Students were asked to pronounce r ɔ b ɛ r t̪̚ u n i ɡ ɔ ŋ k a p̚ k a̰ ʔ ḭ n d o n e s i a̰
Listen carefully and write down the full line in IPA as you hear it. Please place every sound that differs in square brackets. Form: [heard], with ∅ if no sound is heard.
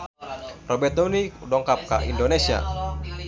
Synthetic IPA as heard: r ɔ b ɛ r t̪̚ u n i [d] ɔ ŋ k a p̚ k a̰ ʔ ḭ n d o n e s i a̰